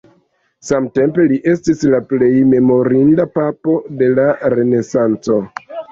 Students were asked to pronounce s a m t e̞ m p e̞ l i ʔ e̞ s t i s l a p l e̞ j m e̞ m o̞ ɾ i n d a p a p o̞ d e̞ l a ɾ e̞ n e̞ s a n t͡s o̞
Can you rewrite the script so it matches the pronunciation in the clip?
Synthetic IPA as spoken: s a m t e̞ m p e̞ l i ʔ e̞ s t i s l a p l e̞ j m e̞ m o̞ ɾ i n d a p a p o̞ d e̞ l a ɾ e̞ n e̞ s a n t͡s o̞